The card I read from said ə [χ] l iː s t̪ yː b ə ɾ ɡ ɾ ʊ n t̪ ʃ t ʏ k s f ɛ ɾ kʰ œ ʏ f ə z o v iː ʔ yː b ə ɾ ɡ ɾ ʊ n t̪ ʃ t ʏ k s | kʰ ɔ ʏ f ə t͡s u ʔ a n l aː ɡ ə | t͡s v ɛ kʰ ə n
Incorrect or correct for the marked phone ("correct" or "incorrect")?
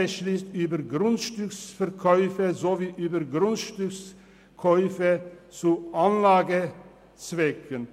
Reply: incorrect